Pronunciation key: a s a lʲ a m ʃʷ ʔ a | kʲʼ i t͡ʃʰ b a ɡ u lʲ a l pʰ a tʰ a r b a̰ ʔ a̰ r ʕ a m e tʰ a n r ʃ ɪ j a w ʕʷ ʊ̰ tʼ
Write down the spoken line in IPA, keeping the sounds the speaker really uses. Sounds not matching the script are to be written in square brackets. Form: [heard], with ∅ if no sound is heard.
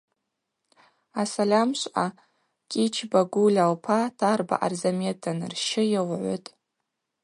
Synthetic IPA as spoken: a s a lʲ a m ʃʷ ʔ a | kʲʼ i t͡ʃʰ b a ɡ u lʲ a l pʰ a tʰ a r b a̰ ʔ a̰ r [z] a m e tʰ a n r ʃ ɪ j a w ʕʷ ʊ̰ tʼ